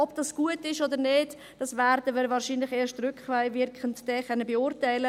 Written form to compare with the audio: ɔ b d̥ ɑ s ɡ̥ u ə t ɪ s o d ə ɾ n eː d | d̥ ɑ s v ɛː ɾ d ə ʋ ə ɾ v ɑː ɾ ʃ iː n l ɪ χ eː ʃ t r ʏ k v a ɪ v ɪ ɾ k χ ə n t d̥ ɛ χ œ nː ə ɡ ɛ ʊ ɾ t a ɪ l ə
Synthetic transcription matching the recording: ɔ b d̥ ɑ s ɡ̥ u ə t ɪ ʃ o d ə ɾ n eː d | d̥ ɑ s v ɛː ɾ d ə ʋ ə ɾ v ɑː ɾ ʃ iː n l ɪ χ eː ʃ t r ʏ k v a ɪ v ɪ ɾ k χ ə n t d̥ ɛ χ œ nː ə b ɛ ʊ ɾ t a ɪ l ə